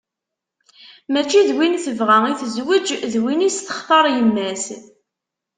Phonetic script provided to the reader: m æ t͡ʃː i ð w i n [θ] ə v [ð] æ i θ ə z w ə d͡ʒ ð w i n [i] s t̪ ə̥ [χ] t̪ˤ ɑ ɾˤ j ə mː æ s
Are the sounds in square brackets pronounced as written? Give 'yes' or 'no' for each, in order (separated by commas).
yes, no, yes, yes